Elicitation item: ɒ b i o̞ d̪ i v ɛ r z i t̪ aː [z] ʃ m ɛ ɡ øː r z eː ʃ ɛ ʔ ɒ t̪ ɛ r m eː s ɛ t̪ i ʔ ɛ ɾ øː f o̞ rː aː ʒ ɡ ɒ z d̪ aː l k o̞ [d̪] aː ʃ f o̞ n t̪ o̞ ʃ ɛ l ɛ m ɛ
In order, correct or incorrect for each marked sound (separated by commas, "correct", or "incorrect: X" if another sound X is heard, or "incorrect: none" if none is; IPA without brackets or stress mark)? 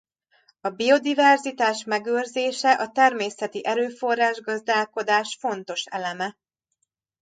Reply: incorrect: none, correct